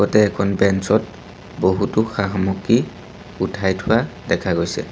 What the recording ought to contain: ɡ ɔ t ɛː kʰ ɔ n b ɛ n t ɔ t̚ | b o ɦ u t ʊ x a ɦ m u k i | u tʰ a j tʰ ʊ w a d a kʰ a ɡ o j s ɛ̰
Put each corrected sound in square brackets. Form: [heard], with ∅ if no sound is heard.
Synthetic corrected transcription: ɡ ɔ t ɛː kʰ ɔ n b ɛ n [s] ɔ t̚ | b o ɦ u t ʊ x a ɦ m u k i | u tʰ a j tʰ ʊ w a d [ɛ] kʰ a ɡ o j s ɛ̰